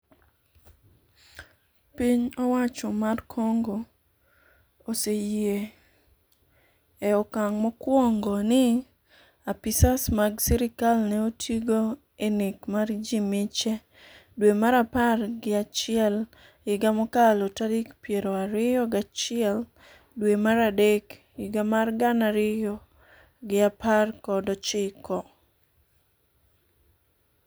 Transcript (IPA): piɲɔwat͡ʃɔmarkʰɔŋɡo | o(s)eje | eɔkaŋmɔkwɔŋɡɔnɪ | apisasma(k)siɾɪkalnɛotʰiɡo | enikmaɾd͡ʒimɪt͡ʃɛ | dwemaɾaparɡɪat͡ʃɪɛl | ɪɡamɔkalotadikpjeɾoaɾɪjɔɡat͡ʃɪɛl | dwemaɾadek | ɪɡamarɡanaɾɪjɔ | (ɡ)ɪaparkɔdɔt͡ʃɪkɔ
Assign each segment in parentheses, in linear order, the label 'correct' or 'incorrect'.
correct, incorrect: ɡ, correct

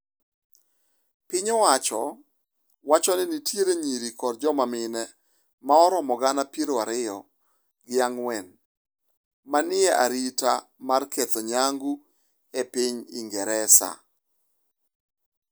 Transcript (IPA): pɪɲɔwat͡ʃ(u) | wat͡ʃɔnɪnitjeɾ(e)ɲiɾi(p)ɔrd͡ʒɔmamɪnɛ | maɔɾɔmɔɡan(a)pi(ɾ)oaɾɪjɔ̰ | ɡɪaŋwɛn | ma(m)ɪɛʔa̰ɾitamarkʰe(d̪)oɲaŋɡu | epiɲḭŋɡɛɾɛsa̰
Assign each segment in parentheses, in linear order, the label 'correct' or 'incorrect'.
incorrect: ɔ, correct, incorrect: k, correct, correct, incorrect: n, incorrect: t̪

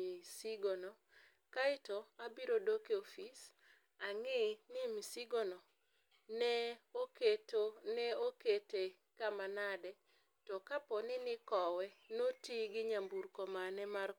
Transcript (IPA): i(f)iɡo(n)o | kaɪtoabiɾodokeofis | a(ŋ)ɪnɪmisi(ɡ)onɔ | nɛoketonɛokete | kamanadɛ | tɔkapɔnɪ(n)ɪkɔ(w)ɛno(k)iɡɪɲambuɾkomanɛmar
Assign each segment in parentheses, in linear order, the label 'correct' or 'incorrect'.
incorrect: s, correct, correct, correct, correct, correct, incorrect: t

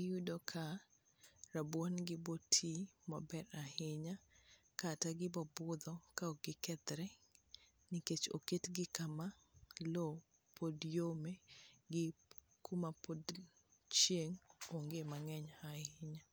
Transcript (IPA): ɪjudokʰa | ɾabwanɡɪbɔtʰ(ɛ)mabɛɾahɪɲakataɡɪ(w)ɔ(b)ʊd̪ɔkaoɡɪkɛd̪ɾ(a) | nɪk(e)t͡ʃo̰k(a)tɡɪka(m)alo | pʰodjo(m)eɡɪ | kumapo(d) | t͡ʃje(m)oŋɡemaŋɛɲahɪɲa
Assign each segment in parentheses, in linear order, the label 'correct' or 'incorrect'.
incorrect: i, incorrect: b, correct, incorrect: ɛ, correct, incorrect: e, correct, correct, correct, incorrect: ŋ

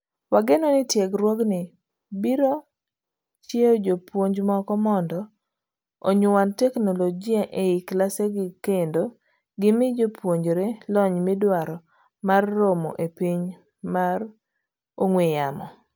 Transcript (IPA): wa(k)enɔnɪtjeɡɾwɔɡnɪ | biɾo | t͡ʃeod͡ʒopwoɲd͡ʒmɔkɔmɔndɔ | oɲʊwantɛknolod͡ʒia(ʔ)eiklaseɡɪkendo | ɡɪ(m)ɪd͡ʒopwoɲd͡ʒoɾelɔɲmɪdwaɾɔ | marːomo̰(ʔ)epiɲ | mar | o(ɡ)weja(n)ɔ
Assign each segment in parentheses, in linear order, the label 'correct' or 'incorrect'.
incorrect: ɡ, correct, correct, correct, incorrect: ŋ, incorrect: m

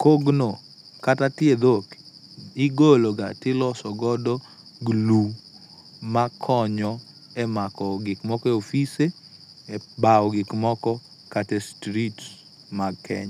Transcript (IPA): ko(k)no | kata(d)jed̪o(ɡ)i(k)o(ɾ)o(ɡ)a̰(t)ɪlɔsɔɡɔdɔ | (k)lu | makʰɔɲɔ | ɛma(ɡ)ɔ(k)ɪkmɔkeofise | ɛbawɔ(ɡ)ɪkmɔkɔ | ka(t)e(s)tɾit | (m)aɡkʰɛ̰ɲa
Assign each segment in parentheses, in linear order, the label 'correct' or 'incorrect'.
incorrect: ɡ, incorrect: t, incorrect: k, incorrect: ɡ, incorrect: l, correct, correct, incorrect: ɡ, incorrect: k, incorrect: ɡ, correct, correct, correct, correct

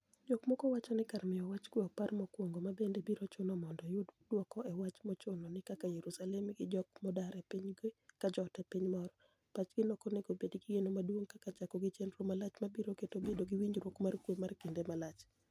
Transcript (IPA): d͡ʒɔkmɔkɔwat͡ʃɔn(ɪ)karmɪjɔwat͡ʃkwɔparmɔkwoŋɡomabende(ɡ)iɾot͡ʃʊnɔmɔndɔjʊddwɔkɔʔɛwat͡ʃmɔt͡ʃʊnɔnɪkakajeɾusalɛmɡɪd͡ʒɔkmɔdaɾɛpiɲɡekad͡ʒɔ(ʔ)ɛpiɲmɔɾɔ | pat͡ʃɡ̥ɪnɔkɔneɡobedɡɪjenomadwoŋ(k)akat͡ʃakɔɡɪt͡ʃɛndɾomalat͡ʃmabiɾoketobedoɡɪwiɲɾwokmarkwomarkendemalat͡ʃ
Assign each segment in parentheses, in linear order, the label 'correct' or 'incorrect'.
correct, incorrect: b, incorrect: t, correct

